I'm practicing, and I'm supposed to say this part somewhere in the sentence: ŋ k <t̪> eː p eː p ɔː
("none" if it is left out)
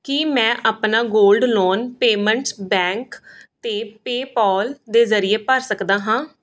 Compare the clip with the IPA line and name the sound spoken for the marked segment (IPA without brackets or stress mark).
t̪